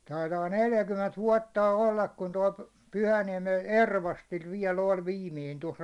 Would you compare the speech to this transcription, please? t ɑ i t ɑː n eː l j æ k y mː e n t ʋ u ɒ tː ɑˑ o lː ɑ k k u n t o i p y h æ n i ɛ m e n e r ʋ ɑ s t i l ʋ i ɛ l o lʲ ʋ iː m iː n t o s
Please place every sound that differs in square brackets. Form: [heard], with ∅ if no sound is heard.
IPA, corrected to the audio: t ɑ i t ɑː n [e] l j æ k y mː e n t ʋ u ɒ tː ɑˑ o lː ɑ k k u n t o i p y h æ n i ɛ m e n e r ʋ ɑ s t i l ʋ i ɛ l o lʲ ʋ iː m iː n t o s